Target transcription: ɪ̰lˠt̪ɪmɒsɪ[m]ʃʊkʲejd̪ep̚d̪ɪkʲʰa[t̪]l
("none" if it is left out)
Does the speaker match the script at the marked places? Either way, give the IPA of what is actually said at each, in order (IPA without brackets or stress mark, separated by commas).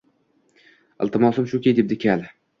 m, none